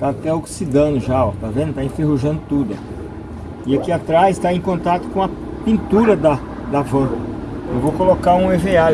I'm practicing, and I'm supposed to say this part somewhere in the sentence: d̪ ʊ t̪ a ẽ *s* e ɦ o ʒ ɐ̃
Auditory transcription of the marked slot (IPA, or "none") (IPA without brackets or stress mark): f